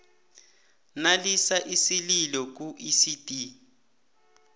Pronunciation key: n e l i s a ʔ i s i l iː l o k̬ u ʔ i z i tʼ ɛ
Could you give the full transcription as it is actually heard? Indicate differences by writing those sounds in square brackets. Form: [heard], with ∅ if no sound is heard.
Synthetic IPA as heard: n [a] l i s a ʔ i s i l [i] l [ɔ] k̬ u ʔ i [s] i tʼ [i]